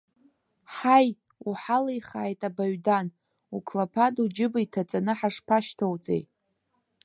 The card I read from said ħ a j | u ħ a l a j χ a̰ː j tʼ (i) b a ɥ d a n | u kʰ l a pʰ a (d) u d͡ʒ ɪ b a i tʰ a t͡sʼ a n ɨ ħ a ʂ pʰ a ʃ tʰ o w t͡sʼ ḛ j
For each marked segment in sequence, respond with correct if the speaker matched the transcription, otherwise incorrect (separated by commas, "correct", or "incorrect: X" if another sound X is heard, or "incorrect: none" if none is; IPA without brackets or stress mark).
incorrect: a, correct